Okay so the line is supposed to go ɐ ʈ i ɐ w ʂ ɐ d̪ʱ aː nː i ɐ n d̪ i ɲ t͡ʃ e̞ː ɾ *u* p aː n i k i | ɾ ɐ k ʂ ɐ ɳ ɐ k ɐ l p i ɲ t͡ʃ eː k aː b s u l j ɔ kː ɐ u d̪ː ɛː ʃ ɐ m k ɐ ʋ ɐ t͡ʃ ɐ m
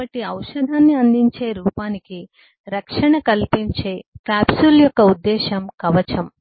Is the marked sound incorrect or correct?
incorrect